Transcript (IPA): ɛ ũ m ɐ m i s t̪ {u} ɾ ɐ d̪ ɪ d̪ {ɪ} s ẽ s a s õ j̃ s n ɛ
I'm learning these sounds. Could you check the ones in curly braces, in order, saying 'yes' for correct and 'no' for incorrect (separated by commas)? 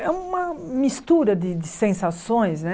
yes, yes